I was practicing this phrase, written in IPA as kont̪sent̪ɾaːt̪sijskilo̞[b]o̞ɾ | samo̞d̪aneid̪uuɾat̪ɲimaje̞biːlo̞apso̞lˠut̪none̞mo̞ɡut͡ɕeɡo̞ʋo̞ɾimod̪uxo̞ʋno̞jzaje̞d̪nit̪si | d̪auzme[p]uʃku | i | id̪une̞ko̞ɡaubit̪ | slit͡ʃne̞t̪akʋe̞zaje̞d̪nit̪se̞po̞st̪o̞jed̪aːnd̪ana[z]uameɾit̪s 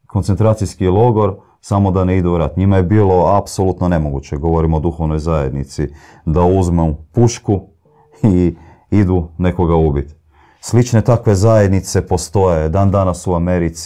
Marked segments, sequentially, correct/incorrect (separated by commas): incorrect, correct, incorrect